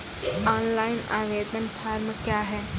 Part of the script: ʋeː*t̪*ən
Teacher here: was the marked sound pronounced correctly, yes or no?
no